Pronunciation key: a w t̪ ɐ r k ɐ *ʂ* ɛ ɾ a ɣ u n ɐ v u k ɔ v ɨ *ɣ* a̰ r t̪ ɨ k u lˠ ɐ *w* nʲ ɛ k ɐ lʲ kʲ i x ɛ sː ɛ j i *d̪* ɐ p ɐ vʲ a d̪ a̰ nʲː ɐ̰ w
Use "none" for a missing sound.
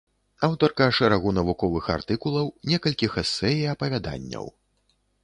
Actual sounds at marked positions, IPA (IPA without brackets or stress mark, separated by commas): ʂ, x, w, none